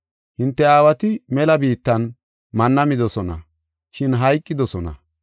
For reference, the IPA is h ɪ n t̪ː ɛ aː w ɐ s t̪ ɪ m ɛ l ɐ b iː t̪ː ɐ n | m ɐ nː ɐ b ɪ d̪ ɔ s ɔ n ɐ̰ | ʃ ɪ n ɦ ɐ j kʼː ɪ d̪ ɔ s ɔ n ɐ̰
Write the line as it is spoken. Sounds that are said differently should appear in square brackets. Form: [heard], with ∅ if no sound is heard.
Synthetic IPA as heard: h ɪ n t̪ː ɛ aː w ɐ [∅] t̪ ɪ m ɛ l ɐ b iː t̪ː ɐ n | m ɐ nː ɐ [m] ɪ d̪ ɔ s ɔ n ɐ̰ | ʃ ɪ n ɦ ɐ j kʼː ɪ d̪ ɔ s ɔ n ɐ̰